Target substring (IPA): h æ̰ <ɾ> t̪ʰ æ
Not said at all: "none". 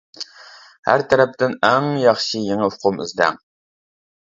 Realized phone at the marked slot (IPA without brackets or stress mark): ɾ